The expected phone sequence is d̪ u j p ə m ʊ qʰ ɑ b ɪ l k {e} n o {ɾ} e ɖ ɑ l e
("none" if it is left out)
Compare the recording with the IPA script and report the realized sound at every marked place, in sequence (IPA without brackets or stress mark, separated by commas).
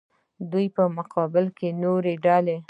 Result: e, ɾ